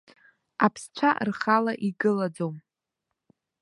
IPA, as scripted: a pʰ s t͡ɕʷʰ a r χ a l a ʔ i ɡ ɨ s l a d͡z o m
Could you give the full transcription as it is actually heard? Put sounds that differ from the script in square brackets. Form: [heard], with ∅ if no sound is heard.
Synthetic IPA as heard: a pʰ s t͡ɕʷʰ a r χ a l a ʔ i ɡ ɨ [∅] l a d͡z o m